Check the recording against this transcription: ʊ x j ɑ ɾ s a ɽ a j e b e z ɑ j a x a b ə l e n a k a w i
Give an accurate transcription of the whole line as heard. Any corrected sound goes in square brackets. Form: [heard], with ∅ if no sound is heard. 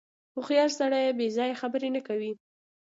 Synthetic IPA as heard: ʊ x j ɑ [l] s a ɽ a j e b e z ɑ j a x a b ə [ɾ] e n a k a w i